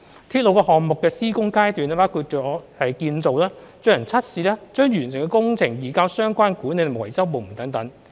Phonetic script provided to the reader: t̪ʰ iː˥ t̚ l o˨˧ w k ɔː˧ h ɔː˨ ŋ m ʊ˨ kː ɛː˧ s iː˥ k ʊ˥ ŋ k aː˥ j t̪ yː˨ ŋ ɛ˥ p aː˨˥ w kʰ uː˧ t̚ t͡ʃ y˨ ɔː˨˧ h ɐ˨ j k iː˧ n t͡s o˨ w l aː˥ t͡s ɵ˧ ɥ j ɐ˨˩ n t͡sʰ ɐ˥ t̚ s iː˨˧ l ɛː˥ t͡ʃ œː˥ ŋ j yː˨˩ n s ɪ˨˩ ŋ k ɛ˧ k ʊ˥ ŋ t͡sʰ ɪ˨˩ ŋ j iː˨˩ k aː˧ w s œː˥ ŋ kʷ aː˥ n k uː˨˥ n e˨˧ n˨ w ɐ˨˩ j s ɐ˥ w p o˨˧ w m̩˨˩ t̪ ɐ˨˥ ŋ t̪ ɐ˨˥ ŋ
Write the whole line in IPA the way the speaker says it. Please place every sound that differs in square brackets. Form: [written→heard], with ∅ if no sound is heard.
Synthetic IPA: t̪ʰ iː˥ t̚ l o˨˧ w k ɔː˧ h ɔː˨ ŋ m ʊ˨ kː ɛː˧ s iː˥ k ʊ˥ ŋ k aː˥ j t̪ yː˨ [ŋ→n] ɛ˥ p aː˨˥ w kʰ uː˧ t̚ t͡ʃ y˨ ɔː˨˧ h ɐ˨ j k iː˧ n t͡s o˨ w l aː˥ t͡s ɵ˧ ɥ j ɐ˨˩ n t͡sʰ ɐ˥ t̚ s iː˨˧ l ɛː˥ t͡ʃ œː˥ ŋ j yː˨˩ n s ɪ˨˩ ŋ k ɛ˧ k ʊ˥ ŋ t͡sʰ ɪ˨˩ ŋ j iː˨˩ k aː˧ w s œː˥ ŋ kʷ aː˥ n k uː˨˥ n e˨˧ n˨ w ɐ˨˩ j s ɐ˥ w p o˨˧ w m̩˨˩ t̪ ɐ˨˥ ŋ t̪ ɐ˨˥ ŋ

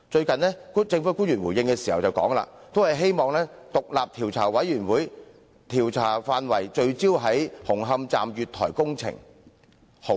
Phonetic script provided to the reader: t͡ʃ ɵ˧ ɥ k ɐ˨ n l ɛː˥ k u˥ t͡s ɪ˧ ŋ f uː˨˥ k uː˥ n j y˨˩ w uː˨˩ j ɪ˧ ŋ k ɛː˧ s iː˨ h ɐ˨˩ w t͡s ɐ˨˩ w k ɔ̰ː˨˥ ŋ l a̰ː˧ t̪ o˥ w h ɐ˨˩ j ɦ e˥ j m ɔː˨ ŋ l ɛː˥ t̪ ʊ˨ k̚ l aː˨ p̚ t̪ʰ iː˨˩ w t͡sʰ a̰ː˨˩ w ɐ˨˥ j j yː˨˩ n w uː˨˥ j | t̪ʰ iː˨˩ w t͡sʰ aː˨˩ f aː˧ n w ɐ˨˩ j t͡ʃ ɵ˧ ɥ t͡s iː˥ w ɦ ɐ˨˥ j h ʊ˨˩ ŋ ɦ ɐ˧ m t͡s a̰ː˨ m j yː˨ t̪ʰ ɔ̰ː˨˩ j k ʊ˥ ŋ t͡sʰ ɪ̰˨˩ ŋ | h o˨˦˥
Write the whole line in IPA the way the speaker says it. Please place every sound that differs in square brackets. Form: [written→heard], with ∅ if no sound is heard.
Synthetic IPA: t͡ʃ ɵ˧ ɥ k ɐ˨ n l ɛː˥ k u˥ t͡s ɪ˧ ŋ f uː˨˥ k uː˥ n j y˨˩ w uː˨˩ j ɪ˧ ŋ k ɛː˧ s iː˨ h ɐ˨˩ w t͡s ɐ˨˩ w k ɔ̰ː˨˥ ŋ l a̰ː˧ t̪ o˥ w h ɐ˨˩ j ɦ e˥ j m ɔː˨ ŋ l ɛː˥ t̪ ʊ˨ k̚ l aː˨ p̚ t̪ʰ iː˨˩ w t͡sʰ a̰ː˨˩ w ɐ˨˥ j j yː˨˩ n w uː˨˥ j | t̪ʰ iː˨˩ w t͡sʰ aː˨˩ f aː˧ n w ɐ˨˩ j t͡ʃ ɵ˧ ɥ t͡s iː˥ w ɦ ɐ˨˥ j h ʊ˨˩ ŋ ɦ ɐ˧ m t͡s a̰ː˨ m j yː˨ t̪ʰ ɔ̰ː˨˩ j k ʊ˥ ŋ t͡sʰ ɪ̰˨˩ ŋ | h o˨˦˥

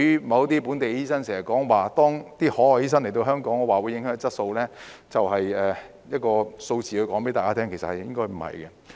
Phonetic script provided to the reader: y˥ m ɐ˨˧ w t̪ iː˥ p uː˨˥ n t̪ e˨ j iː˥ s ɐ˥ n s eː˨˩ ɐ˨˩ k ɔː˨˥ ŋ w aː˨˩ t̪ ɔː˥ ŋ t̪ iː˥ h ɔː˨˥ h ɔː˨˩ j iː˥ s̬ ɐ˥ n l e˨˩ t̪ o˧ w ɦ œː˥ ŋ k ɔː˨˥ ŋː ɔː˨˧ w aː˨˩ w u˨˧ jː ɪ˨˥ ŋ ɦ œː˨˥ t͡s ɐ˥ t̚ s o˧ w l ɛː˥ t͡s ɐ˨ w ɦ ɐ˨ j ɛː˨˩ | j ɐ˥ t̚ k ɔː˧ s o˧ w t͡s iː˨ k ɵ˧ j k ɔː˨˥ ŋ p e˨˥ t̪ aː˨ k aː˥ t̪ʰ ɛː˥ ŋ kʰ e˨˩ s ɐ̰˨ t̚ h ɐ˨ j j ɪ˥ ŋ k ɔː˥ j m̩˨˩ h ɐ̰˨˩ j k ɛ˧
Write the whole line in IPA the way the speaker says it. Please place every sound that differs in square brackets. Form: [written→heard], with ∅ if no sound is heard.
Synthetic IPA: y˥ m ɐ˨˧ w t̪ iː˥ p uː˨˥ n t̪ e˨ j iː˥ s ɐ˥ n s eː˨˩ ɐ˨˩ k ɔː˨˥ ŋ w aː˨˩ t̪ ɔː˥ ŋ t̪ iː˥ h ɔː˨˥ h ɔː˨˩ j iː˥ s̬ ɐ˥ n l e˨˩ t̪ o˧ w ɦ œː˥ ŋ k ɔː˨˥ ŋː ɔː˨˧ w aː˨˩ w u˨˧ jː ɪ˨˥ ŋ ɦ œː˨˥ t͡s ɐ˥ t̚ s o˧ w l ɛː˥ t͡s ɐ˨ w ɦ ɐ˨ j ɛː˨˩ | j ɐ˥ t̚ k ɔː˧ s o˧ w t͡s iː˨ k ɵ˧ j k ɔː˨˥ ŋ p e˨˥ t̪ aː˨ k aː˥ t̪ʰ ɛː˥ ŋ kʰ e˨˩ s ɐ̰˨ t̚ h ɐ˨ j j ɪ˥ ŋ k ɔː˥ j m̩˨˩ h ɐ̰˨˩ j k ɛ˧

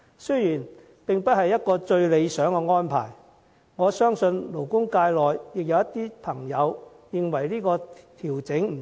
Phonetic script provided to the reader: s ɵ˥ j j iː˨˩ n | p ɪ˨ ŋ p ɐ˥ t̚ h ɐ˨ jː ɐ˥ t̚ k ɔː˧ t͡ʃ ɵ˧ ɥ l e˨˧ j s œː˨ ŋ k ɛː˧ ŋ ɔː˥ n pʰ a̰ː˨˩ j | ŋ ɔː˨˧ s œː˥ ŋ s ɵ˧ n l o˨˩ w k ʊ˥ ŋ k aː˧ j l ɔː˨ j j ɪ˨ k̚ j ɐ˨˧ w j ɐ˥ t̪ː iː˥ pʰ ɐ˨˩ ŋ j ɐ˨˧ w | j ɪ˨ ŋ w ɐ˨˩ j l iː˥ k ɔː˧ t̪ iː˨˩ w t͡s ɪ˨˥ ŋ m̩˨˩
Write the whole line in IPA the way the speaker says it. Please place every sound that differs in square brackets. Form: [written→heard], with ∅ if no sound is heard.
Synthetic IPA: s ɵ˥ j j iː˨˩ n | p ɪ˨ ŋ p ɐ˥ t̚ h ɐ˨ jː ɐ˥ t̚ k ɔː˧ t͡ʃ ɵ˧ ɥ l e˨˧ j s [œː˨→œː˨˥] ŋ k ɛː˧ ŋ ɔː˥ n pʰ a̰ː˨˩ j | ŋ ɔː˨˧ s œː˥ ŋ s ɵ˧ n l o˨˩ w k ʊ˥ ŋ k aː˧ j l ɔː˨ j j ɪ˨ k̚ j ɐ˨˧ w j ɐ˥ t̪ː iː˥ pʰ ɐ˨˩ ŋ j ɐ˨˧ w | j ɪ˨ ŋ w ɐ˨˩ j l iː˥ k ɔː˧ [t̪→t̪ʰ] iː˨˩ w t͡s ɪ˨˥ ŋ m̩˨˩

